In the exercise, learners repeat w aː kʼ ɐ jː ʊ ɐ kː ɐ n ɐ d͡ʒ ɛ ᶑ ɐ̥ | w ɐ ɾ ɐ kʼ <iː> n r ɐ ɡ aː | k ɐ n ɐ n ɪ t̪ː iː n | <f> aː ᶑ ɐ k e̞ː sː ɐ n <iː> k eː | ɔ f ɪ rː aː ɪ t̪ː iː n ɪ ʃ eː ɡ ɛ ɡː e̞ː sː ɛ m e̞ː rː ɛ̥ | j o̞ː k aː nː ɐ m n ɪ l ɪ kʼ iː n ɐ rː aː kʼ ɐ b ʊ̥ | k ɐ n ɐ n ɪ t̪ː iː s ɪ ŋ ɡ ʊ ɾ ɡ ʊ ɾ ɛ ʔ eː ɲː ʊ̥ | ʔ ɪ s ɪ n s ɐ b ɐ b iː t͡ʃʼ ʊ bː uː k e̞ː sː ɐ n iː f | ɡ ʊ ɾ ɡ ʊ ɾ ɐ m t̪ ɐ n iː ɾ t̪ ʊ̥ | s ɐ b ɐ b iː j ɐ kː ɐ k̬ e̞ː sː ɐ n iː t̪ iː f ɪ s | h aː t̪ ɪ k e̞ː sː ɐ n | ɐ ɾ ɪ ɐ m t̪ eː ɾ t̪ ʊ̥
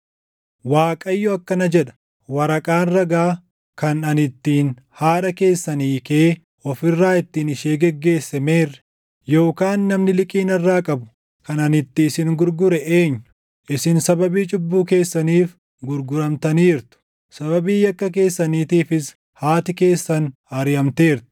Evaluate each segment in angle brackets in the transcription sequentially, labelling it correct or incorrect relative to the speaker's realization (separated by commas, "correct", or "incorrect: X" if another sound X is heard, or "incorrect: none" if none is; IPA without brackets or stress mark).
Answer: incorrect: aː, incorrect: h, correct